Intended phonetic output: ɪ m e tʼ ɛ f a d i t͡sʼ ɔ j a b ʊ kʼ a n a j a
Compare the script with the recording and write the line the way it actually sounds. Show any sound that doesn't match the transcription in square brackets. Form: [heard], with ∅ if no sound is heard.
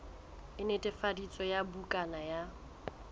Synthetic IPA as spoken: ɪ [n] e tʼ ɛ f a d i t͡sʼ ɔ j a b [u] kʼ a n a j a